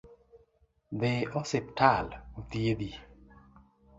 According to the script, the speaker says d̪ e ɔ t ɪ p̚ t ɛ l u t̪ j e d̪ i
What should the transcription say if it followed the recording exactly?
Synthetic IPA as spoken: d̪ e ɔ s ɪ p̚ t a l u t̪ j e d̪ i